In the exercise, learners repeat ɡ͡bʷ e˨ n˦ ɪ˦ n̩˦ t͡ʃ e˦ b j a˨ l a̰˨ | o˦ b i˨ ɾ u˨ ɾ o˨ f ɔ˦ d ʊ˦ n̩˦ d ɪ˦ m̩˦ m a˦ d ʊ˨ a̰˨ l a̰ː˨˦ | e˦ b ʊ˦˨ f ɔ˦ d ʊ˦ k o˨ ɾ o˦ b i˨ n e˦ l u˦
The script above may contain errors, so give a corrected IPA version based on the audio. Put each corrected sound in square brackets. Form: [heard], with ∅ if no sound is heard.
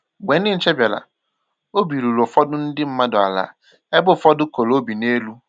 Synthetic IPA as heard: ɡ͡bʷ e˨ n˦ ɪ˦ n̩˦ t͡ʃ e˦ b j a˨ l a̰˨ | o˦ b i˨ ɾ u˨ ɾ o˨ f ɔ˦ d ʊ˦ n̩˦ d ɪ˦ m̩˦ m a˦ d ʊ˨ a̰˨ l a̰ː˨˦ | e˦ b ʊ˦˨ f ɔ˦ d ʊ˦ k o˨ [l] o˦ b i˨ n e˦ l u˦